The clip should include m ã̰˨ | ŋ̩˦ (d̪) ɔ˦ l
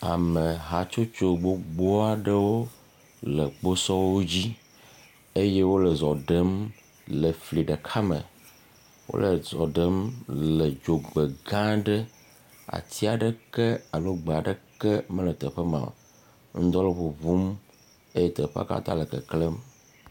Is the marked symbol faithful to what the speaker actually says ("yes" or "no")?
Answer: yes